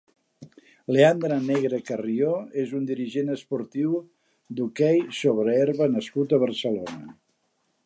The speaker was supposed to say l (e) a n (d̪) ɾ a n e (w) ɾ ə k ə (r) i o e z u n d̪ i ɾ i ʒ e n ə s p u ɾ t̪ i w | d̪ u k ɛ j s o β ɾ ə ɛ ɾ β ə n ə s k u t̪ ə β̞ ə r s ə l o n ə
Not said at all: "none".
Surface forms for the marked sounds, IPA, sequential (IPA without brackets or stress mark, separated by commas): e, d̪, ɣ, r